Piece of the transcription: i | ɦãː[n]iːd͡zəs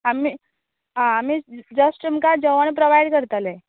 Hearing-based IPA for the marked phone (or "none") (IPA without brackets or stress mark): m